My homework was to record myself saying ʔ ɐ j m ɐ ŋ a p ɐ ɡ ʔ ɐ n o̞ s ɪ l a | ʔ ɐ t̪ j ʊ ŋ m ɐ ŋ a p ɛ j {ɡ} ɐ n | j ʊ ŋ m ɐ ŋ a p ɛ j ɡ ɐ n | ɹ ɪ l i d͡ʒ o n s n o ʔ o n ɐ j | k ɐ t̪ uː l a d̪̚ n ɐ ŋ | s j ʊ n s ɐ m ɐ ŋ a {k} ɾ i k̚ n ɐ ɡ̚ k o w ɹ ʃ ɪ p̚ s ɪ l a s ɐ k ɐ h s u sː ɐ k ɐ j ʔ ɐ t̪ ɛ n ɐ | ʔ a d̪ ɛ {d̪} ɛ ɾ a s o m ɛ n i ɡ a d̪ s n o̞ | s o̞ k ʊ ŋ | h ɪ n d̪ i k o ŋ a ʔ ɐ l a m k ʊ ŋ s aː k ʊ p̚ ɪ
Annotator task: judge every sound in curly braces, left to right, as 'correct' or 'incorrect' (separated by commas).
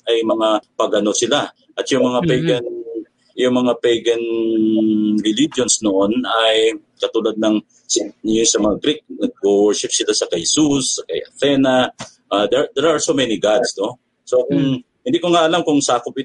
correct, incorrect, correct